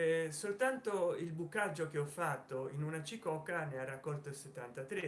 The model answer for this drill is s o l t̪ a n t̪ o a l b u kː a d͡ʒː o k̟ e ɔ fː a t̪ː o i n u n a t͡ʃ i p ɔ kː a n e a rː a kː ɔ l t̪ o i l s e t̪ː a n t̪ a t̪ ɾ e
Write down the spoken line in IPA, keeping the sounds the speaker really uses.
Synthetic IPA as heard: s o l t̪ a n t̪ o i l b u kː a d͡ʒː o k̟ e ɔ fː a t̪ː o i n u n a t͡ʃ i k ɔ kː a n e a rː a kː ɔ l t̪ o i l s e t̪ː a n t̪ a t̪ ɾ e